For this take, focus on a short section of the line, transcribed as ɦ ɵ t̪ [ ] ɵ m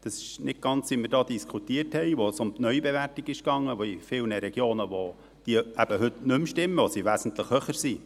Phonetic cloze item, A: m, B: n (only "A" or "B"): B